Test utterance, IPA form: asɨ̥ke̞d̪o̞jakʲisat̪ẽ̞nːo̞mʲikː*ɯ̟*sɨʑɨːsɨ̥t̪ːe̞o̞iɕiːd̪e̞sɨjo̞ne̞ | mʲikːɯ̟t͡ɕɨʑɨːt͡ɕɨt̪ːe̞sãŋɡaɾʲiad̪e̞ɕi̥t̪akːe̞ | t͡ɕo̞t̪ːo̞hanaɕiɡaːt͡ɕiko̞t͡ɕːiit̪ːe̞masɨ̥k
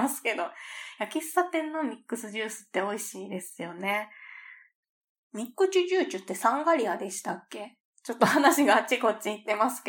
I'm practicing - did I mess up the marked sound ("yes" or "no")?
no